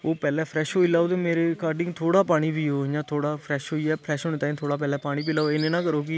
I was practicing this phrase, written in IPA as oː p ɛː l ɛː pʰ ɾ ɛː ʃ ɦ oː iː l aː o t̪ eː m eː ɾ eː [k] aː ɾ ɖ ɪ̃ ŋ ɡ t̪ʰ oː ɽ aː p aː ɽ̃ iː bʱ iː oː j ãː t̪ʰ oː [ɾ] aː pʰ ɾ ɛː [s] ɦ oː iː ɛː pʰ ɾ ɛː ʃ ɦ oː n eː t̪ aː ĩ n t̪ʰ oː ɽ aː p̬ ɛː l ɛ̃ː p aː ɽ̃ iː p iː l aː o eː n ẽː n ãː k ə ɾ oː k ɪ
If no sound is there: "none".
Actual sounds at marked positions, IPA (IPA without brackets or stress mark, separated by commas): k, ɽ, ʃ